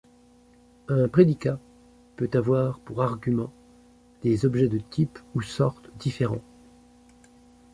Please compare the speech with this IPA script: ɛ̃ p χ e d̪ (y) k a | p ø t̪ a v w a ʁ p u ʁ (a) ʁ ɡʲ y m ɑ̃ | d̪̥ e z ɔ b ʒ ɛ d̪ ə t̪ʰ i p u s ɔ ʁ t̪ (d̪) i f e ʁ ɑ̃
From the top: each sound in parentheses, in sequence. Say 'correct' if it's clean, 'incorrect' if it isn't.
incorrect: i, correct, correct

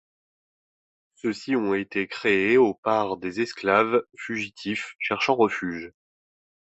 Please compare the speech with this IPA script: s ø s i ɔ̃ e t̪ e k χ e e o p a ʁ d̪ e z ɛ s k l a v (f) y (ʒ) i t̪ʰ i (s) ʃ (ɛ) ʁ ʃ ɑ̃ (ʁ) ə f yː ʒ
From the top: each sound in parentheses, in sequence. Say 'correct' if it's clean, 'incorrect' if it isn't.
correct, correct, incorrect: f, correct, correct

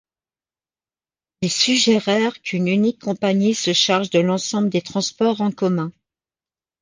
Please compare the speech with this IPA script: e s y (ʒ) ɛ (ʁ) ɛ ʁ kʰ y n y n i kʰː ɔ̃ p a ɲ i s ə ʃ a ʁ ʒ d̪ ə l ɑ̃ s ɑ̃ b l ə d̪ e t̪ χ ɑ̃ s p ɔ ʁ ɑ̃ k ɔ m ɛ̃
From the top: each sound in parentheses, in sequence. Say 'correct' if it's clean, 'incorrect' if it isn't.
correct, correct

